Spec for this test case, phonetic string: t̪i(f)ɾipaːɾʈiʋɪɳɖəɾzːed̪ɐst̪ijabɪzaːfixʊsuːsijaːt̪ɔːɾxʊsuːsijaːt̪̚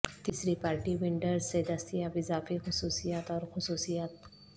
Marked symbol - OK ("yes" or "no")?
no